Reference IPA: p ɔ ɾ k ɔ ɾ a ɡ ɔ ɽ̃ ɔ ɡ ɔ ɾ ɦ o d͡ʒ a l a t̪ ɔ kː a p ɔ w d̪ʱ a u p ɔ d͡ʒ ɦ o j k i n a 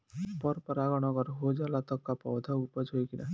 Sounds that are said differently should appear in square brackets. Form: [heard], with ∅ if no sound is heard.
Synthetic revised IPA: p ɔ ɾ [p] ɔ ɾ a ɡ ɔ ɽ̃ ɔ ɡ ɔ ɾ ɦ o d͡ʒ a l a t̪ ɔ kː a p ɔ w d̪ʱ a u p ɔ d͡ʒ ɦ o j k i n a